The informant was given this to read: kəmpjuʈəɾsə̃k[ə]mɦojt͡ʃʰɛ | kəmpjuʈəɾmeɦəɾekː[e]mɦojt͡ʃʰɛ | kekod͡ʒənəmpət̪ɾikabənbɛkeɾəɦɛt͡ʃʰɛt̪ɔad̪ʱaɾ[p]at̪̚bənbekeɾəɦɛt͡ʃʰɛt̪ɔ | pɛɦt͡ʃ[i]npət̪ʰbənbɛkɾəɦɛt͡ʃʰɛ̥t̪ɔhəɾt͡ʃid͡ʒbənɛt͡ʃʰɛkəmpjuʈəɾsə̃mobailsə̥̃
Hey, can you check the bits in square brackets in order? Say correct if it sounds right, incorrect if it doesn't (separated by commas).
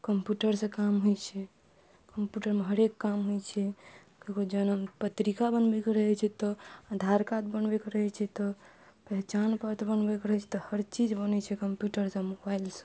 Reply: incorrect, incorrect, incorrect, incorrect